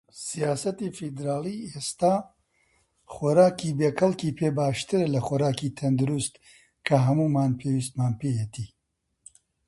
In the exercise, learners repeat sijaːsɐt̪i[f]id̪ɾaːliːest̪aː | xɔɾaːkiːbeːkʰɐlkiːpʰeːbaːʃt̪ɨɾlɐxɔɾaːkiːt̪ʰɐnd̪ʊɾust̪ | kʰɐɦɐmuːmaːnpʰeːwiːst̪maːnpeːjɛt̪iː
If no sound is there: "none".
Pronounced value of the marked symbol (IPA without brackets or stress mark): f